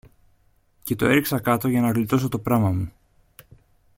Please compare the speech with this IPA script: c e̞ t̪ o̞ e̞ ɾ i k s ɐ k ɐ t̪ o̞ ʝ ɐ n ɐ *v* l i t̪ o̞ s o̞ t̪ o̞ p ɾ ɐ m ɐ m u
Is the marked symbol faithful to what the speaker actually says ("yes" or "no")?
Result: no